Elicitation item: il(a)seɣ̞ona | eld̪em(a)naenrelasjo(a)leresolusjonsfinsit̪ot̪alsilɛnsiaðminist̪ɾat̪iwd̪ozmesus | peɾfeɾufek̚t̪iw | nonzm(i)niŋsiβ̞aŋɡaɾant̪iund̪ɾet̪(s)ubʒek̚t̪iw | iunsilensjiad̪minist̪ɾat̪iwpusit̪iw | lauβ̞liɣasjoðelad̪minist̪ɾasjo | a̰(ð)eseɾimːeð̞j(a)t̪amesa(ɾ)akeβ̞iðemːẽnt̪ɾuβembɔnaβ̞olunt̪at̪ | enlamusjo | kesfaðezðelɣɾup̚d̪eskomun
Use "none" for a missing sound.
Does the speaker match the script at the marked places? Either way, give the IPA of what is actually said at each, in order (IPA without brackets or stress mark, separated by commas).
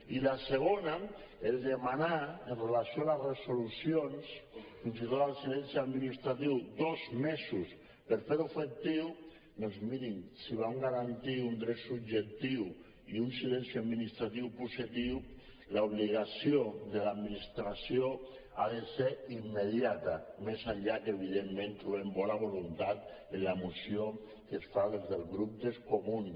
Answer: a, a, a, i, s, ð, a, ʎ